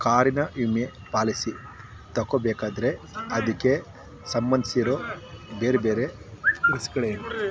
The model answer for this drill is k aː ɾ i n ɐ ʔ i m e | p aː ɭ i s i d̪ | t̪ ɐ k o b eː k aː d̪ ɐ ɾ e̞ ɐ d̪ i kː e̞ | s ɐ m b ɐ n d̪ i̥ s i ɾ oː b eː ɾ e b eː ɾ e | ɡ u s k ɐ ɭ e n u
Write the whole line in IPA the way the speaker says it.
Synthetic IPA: k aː ɾ i n ɐ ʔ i m e | p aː l i s i | t̪ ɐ k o b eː k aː d̪ ɐ ɾ e̞ ɐ d̪ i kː e̞ | s ɐ m b ɐ n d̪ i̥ s i ɾ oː b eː ɾ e b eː ɾ e | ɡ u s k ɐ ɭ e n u